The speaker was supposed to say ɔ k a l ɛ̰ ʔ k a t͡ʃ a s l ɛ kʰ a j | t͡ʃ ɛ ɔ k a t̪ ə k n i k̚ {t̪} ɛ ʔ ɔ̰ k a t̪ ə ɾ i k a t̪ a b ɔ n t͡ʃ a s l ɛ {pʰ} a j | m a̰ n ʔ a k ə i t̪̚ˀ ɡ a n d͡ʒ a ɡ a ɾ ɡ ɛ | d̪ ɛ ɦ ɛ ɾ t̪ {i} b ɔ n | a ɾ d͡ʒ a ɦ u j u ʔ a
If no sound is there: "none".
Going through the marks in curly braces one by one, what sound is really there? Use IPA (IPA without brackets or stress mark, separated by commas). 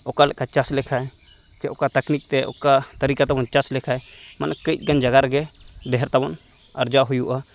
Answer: t̪, kʰ, a